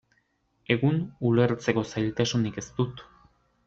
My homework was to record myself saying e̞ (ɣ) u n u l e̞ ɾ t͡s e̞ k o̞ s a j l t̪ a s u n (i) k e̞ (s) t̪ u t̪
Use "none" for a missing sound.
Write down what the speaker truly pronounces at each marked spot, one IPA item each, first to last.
ɣ, i, s

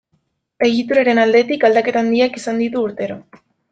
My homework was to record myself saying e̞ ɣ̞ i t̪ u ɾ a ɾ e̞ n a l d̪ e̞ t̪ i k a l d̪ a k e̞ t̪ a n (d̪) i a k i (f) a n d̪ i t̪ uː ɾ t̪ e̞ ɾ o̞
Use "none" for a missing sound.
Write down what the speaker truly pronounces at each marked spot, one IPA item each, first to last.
d̪, s

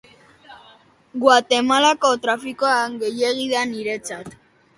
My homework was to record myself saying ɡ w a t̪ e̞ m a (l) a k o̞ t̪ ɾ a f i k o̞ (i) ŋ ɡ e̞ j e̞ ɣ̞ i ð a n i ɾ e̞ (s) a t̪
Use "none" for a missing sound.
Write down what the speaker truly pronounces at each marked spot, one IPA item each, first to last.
l, a, t͡s

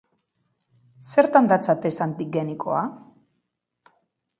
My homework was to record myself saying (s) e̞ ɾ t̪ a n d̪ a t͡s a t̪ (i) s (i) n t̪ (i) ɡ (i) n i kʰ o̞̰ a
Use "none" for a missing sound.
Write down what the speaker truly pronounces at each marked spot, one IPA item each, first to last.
s, e, a, i, e

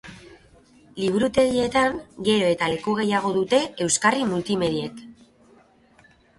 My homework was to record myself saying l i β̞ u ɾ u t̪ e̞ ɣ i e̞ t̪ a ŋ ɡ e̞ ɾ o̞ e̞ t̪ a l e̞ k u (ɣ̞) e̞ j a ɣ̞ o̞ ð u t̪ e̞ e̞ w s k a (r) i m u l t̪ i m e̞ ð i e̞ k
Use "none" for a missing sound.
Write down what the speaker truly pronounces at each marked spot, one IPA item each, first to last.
ɣ̞, r

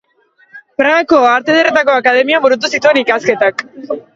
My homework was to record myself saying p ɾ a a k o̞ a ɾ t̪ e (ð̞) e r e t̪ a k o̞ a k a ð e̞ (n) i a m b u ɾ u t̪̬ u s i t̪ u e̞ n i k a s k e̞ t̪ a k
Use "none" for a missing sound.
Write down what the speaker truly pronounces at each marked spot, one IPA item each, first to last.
ð̞, m

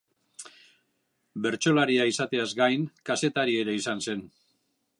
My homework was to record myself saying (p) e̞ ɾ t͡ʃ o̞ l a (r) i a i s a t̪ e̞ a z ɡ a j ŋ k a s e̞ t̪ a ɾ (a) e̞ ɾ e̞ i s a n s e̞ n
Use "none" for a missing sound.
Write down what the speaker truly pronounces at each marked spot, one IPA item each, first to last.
b, ɾ, i

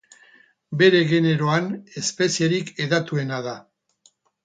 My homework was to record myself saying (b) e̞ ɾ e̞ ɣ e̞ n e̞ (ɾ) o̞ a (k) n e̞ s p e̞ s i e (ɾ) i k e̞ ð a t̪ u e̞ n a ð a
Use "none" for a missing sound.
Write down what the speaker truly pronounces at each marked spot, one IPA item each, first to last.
b, ɾ, none, ɾ

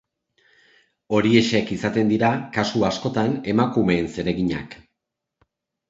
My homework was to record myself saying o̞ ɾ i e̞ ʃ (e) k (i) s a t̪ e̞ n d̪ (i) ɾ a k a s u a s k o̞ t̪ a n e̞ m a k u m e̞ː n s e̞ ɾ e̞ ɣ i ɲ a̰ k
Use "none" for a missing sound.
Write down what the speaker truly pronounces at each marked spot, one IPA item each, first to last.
e, i, i

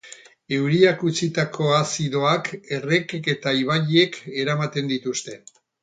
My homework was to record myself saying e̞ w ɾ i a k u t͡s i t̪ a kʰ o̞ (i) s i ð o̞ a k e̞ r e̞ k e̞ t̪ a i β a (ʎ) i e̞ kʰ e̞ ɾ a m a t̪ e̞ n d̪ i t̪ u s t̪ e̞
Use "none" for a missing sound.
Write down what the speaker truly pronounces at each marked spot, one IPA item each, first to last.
a, ʎ

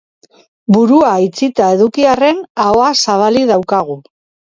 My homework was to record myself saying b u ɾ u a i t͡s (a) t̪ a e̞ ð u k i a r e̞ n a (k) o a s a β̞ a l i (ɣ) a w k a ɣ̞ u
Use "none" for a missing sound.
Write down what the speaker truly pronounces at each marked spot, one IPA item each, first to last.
i, none, ð

